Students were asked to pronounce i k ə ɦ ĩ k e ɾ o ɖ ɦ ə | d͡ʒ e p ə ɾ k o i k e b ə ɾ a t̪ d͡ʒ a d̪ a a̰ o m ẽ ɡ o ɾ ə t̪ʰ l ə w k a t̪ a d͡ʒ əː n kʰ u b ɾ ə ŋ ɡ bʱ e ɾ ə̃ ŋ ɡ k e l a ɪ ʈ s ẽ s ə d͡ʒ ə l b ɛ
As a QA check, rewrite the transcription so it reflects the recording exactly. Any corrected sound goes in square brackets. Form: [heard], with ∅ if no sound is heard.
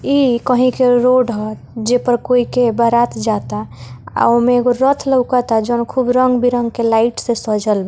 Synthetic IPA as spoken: i k ə ɦ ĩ k e ɾ o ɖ ɦ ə | d͡ʒ e p ə ɾ k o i k e b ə ɾ a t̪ d͡ʒ a [t̪] a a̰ o m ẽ ɡ o ɾ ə t̪ʰ l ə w k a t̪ a d͡ʒ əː n kʰ u b ɾ ə ŋ ɡ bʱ [i] ɾ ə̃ ŋ ɡ k e l a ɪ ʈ s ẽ s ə d͡ʒ ə l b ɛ